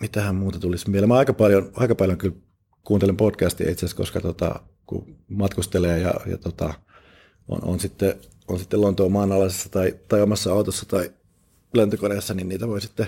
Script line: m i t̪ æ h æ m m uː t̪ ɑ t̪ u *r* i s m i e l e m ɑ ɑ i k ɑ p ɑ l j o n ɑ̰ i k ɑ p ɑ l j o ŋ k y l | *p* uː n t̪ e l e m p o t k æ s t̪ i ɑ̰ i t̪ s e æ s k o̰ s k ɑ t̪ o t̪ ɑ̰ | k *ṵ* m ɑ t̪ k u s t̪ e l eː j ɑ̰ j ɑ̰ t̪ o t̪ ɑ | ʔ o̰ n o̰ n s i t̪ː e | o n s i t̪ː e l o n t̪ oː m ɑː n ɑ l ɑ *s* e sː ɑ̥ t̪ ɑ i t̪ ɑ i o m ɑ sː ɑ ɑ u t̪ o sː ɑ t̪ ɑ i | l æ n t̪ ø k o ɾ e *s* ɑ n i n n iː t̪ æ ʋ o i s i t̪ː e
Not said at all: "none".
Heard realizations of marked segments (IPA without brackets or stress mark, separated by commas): l, k, ṵ, s, sː